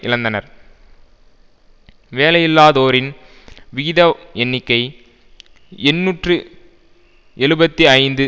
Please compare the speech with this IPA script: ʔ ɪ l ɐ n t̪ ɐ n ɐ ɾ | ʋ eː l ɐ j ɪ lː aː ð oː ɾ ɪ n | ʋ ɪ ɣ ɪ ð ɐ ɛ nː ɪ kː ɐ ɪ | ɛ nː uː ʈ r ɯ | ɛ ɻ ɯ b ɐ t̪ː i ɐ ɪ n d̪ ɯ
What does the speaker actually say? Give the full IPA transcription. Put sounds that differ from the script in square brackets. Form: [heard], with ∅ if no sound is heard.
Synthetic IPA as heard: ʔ ɪ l ɐ n [d̪] ɐ n ɐ ɾ | ʋ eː l ɐ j ɪ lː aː ð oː ɾ ɪ n | ʋ ɪ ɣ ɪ ð ɐ ɛ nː ɪ kː ɐ ɪ | ɛ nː uː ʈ r ɯ | ɛ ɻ ɯ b ɐ t̪ː i ɐ ɪ n d̪ ɯ